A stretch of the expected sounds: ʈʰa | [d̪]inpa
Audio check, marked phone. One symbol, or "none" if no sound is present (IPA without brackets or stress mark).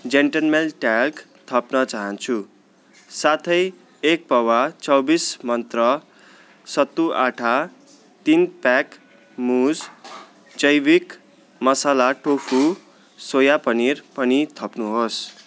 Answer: t̪